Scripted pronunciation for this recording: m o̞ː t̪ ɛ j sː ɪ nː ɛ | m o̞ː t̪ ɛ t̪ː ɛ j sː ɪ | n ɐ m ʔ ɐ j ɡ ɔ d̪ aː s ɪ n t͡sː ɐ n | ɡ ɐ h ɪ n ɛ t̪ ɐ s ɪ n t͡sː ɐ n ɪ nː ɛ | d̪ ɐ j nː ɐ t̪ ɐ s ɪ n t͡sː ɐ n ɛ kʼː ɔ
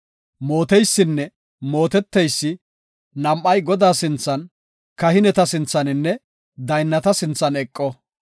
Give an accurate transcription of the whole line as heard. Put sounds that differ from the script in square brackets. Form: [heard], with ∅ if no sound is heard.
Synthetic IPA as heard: m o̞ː t̪ ɛ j sː ɪ nː ɛ | m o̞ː t̪ ɛ t̪ː ɛ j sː ɪ | n ɐ m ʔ ɐ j ɡ ɔ d̪ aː s ɪ n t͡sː ɐ n | [k] ɐ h ɪ n ɛ t̪ ɐ s ɪ n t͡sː ɐ n ɪ nː ɛ | d̪ ɐ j nː ɐ t̪ ɐ s ɪ n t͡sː ɐ n ɛ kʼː ɔ